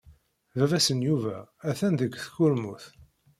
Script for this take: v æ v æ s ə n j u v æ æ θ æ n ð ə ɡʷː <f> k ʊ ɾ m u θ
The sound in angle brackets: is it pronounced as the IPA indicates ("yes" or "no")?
no